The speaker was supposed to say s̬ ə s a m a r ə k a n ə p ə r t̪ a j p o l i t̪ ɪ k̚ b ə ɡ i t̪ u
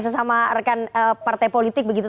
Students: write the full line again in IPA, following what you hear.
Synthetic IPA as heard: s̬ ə s a m a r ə k a n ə p a r t̪ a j p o l i t̪ ɪ k̚ b ə ɡ i t̪ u